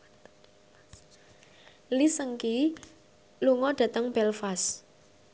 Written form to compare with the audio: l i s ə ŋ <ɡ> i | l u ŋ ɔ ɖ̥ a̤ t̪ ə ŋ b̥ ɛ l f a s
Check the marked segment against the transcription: incorrect: k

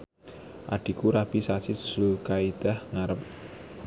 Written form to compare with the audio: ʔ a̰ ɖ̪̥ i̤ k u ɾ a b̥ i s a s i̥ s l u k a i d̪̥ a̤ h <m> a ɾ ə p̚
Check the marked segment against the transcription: incorrect: ŋ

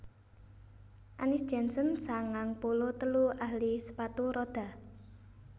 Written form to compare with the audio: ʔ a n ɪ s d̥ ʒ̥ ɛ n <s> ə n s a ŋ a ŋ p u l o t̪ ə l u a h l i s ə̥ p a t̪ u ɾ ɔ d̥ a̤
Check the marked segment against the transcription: correct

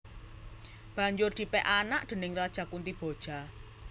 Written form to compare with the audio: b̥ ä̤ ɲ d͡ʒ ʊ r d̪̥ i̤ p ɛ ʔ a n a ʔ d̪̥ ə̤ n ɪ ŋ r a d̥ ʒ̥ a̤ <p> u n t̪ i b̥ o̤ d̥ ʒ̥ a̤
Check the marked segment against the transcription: incorrect: k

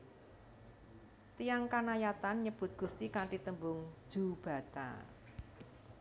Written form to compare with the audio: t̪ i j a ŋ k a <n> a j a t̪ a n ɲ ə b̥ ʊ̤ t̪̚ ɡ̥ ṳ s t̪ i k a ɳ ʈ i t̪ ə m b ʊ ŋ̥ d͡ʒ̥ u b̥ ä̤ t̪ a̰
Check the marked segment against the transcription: correct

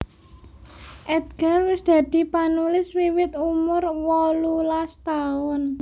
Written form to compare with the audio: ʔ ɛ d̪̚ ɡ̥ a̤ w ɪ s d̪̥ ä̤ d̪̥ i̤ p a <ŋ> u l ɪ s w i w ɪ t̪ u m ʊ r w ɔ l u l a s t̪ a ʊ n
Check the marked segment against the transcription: incorrect: n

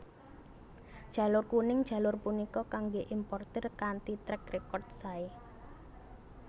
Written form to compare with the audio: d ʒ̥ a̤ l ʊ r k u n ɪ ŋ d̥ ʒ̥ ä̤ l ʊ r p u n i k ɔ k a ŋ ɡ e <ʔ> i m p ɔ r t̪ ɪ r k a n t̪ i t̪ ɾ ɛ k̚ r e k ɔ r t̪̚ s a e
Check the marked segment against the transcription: correct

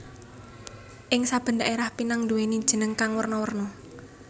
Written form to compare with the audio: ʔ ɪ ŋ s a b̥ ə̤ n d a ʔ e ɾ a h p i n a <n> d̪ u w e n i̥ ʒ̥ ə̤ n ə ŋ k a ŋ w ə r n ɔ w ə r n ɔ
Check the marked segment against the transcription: incorrect: ŋ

